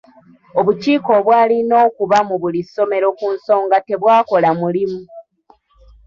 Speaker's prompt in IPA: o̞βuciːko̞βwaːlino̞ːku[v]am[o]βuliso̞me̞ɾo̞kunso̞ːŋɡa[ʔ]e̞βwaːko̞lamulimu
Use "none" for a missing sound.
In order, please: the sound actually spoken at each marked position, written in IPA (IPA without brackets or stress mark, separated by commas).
β, u, t